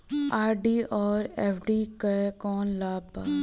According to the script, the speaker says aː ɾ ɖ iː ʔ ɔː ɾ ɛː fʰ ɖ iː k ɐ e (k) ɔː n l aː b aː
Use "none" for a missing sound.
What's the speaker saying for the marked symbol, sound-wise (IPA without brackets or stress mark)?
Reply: k